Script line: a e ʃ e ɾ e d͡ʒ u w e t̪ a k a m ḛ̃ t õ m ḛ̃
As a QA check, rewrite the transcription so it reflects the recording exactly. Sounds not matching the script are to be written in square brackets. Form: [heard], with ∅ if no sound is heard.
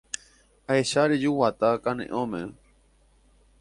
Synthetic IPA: a e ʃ [a] ɾ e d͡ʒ u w [a] t̪ a k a [n] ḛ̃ [ʔ] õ m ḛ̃